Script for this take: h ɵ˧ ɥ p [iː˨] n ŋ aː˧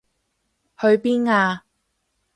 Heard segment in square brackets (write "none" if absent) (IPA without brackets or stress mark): iː˥